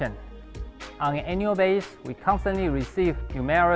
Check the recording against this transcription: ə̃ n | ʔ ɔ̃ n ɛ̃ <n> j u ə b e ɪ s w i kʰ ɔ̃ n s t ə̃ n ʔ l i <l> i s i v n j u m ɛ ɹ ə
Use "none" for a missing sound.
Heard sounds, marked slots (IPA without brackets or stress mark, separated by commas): n, ɹ